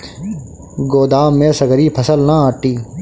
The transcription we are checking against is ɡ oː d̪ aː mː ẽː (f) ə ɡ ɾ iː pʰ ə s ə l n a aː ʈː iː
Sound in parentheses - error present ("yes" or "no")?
yes